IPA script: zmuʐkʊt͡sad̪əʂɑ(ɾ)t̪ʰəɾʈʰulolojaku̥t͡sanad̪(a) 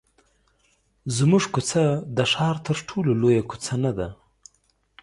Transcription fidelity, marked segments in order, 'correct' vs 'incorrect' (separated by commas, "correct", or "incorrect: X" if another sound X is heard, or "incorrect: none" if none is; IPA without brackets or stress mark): correct, correct